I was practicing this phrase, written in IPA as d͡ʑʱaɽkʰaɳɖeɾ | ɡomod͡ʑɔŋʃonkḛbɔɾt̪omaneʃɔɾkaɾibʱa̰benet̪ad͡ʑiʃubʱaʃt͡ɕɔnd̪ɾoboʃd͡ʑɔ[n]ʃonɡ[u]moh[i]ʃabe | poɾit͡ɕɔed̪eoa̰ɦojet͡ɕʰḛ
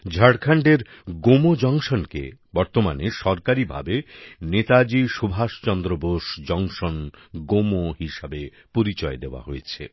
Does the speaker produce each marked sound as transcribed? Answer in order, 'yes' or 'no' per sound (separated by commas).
no, no, yes